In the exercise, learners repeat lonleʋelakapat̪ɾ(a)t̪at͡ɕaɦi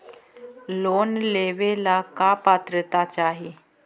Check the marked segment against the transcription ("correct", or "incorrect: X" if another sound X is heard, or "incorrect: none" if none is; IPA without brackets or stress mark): incorrect: ə